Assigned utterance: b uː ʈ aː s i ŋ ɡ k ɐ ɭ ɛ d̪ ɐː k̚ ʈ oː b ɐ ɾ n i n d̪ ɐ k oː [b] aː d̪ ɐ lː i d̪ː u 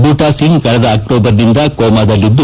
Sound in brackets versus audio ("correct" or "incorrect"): incorrect